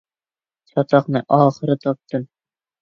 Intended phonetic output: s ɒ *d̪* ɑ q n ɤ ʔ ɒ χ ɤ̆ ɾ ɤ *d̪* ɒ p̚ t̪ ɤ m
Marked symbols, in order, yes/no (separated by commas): no, no